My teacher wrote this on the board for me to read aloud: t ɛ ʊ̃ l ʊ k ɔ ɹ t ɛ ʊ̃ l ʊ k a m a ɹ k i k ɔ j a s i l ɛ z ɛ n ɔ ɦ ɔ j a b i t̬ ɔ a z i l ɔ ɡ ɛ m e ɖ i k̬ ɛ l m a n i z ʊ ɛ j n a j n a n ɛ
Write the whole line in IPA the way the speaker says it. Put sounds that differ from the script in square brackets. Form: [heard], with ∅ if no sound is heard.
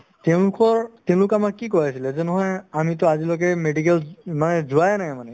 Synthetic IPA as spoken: t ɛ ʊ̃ l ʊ k ɔ ɹ t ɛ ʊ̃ l ʊ k a m a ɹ k i k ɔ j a s i l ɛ z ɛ n ɔ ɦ ɔ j a [m] i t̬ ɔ a z i l ɔ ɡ ɛ m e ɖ i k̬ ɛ l m a n [ɛ] z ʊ [a] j n a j [m] a n ɛ